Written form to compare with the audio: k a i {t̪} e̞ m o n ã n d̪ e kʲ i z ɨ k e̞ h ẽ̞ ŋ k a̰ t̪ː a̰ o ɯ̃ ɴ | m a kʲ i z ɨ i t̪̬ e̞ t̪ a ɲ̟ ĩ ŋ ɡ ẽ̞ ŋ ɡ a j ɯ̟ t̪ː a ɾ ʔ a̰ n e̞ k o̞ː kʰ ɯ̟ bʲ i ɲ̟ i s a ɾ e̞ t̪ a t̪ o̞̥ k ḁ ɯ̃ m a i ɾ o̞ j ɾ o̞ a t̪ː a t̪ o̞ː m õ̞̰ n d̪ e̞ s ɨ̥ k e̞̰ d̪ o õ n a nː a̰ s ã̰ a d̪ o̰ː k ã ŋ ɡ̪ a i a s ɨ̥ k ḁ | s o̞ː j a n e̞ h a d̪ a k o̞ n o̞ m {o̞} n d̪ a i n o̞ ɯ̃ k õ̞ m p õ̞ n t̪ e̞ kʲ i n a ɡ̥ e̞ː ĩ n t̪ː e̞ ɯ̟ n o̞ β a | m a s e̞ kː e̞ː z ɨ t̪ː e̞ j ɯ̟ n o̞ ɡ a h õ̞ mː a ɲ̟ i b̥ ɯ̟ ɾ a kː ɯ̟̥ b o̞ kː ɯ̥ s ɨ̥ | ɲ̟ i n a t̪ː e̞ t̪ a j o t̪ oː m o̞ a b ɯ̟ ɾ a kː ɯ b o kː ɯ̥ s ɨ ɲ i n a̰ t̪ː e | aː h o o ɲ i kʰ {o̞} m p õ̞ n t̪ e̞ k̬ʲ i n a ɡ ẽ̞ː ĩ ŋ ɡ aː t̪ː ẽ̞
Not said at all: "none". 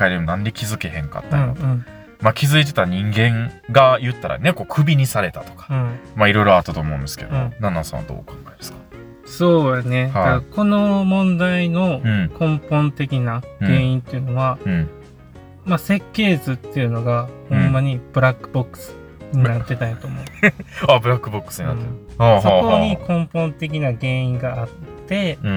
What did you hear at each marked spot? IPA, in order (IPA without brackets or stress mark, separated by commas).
d̪, õ̞, õ̞